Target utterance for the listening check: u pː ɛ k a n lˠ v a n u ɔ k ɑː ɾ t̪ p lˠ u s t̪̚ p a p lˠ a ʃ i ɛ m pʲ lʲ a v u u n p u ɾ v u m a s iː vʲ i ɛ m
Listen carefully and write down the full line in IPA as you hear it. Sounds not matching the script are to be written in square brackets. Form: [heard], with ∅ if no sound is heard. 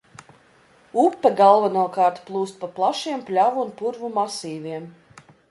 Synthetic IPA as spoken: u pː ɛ [ɡ] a [∅] lˠ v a n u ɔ k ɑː ɾ t̪ p lˠ [uː] s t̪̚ p a p lˠ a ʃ i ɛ m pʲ lʲ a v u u n p u ɾ v u m a s iː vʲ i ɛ m